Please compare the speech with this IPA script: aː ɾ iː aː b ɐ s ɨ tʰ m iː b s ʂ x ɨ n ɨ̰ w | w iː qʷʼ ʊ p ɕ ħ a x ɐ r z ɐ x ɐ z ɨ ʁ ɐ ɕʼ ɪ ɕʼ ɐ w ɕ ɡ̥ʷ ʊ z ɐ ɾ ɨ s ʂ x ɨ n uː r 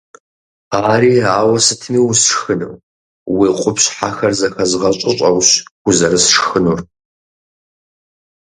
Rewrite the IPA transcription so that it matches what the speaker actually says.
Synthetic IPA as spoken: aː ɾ iː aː w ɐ s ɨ tʰ m iː w s ʂ x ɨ n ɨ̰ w | w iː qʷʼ ʊ p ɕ ħ a x ɐ r z ɐ x ɐ z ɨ ʁ ɐ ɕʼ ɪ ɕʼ ɐ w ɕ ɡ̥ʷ ʊ z ɐ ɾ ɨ s ʂ x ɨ n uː r

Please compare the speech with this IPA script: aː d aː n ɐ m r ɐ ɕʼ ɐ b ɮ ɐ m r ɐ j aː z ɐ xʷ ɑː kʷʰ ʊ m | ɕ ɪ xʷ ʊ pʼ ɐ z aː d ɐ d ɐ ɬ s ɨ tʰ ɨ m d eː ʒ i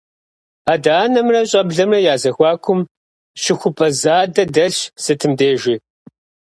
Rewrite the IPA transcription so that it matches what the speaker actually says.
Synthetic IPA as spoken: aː d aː n ɐ m r ɐ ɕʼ ɐ b ɮ ɐ m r ɐ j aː z ɐ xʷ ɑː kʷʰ ʊ m | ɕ ɪ xʷ ʊ pʼ ɐ z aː d ɐ d ɐ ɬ s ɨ tʰ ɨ m d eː ʒ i

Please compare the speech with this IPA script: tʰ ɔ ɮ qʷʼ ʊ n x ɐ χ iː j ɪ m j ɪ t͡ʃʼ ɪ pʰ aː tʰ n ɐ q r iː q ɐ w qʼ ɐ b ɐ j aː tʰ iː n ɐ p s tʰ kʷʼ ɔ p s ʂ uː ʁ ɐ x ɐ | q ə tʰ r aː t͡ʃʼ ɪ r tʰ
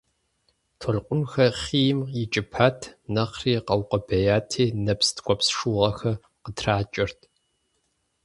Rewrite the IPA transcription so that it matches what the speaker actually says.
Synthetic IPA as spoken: tʰ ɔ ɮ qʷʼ ʊ n x ɐ χ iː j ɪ m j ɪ t͡ʃʼ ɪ pʰ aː tʰ n ɐ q r iː q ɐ w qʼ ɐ b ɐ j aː tʰ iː n ɐ p s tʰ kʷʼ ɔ p s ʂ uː ʁ ɐ x ɐ | q ə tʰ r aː t͡ʃʼ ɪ r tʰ

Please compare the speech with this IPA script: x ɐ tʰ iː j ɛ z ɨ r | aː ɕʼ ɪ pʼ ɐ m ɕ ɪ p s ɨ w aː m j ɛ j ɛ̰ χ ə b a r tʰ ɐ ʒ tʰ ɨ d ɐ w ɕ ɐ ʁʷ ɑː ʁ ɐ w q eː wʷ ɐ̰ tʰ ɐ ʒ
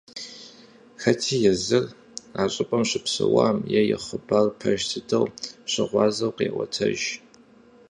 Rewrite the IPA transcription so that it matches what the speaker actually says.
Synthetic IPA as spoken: x ɐ tʰ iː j ɛ z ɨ r | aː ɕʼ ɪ pʼ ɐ m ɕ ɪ p s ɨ w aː m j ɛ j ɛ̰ χ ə b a r pʰ ɐ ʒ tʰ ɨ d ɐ w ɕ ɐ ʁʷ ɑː z ɐ w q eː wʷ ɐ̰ tʰ ɐ ʒ

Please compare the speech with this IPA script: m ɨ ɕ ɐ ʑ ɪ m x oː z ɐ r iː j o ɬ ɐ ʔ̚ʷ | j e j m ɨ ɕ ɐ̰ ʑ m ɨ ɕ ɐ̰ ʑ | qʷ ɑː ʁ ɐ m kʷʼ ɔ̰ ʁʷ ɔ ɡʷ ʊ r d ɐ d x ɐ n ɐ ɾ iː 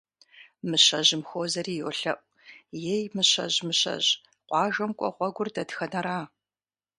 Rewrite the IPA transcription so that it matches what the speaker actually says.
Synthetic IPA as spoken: m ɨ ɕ ɐ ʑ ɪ m x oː z ɐ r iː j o ɬ ɐ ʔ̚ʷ | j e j m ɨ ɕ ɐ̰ ʑ m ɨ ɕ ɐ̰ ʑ | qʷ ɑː ʒ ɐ m kʷʼ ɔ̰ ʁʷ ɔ ɡʷ ʊ r d ɐ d x ɐ n ɐ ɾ aː

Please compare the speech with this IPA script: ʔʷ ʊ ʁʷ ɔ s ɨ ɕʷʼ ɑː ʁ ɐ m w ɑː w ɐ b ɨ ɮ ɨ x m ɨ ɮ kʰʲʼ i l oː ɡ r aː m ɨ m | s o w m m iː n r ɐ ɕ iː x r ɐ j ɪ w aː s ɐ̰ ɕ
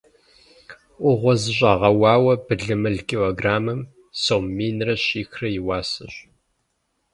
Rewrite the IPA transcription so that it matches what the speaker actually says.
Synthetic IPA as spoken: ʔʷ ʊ ʁʷ ɔ z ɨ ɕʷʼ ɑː ʁ ɐ w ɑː w ɐ b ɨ ɮ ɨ m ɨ ɮ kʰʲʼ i l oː ɡ r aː m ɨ m | s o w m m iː n r ɐ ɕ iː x r ɐ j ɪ w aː s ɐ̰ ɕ

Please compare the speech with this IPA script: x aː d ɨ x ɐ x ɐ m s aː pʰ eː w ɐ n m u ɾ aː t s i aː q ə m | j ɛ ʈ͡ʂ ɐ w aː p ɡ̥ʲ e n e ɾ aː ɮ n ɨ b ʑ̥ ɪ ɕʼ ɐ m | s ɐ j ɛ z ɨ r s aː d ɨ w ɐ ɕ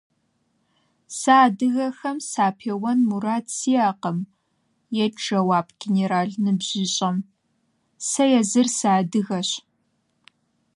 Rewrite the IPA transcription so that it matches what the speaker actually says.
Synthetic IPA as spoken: s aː d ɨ ɣ ɐ x ɐ m s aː pʰ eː w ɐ n m u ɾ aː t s i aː q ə m | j ɛ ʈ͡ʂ ɐ w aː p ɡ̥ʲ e n e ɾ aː ɮ n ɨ b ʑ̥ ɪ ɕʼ ɐ m | s ɐ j ɛ z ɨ r s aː d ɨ ɣ ɐ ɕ

